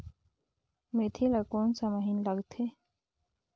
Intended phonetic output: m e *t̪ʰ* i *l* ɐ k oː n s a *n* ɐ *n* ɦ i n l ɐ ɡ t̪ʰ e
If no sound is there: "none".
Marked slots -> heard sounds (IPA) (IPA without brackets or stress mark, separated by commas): t̪ʰ, l, m, none